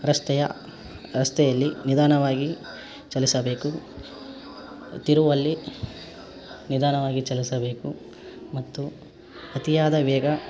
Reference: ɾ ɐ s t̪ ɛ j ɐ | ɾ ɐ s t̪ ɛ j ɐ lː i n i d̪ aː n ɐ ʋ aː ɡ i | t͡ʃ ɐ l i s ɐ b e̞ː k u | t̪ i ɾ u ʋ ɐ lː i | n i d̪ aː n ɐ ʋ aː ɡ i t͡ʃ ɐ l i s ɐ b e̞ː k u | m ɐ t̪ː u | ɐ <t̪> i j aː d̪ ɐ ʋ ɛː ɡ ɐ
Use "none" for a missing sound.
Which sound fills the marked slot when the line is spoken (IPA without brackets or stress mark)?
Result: t̪